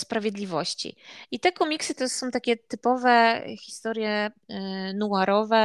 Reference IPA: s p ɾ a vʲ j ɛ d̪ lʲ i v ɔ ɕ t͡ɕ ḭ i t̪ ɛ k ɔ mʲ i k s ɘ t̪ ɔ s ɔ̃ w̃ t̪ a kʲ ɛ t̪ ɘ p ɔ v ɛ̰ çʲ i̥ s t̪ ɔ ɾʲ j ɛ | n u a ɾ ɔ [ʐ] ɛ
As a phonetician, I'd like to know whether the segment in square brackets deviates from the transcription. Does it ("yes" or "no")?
yes